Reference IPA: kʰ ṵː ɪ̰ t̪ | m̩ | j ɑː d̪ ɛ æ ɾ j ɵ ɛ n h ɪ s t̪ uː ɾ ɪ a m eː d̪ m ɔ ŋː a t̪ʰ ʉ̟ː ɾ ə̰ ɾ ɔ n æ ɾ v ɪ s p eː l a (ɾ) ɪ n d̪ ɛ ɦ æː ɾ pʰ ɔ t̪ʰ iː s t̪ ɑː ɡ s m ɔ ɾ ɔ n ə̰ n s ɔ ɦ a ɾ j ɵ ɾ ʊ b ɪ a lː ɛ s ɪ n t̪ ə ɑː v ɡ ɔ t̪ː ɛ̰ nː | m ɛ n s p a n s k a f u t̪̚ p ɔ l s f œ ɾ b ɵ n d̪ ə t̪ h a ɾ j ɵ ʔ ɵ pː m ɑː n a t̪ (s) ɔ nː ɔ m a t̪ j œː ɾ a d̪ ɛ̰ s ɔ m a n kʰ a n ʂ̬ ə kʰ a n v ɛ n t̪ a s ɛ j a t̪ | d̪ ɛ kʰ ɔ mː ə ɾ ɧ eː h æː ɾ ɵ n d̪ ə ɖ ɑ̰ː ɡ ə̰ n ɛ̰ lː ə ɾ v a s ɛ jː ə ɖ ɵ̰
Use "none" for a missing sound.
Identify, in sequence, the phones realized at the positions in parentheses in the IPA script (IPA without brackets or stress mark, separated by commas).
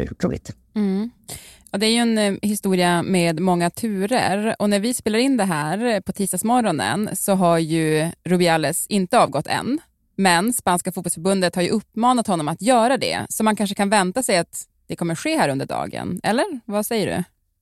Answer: ɾ, h